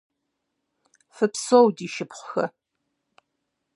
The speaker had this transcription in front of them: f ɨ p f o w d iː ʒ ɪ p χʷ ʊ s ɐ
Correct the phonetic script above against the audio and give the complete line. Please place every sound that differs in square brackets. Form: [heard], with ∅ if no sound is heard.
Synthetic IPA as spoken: f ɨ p [s] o w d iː [ʃ] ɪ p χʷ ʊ [x] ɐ